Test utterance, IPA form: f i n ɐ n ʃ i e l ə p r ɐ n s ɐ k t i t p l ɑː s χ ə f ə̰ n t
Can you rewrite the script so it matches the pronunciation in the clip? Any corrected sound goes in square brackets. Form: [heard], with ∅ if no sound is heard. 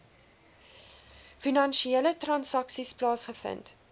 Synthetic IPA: f i n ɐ n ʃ i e l ə [t] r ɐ n s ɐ k [s] i [s] p l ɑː s χ ə f ə̰ n t

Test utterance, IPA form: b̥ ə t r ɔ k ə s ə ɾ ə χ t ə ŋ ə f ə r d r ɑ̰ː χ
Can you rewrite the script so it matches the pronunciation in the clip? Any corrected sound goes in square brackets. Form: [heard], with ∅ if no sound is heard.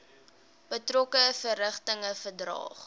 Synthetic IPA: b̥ ə t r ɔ k ə [f] ə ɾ ə χ t ə ŋ ə f ə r d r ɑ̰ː χ

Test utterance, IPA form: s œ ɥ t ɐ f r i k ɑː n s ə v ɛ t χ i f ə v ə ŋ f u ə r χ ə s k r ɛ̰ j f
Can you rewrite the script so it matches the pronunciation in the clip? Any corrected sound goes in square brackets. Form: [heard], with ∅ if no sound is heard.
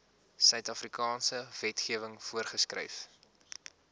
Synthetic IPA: s œ ɥ t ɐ f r i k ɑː n s ə v ɛ t χ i [∅] ə v ə ŋ f u ə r χ ə s k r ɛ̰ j f

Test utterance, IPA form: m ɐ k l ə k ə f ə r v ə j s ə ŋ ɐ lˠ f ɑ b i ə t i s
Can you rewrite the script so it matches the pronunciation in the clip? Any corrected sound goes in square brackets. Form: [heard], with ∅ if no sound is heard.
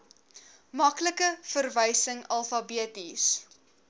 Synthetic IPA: m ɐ k l ə k ə f ə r v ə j s ə ŋ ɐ lˠ f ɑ b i ə t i s

